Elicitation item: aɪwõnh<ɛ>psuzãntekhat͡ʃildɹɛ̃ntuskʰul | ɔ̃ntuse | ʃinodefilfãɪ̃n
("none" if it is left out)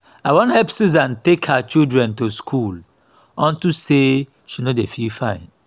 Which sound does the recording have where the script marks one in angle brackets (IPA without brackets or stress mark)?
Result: ɛ